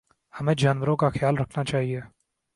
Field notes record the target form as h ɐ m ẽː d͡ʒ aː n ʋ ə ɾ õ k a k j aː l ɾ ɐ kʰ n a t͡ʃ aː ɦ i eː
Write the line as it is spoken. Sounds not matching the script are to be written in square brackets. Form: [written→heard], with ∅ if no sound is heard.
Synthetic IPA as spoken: h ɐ m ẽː d͡ʒ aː n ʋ ə ɾ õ k a [k→x] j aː l ɾ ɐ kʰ n a t͡ʃ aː ɦ i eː